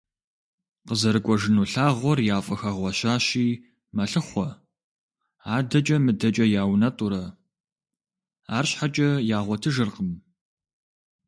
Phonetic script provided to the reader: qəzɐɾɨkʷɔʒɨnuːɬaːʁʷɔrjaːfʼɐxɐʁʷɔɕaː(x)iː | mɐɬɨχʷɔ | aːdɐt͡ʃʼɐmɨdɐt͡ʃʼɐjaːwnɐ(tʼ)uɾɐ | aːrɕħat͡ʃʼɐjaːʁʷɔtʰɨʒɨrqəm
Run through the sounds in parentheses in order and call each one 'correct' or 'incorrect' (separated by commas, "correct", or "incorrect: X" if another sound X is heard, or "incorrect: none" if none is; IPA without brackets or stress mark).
incorrect: ɕ, correct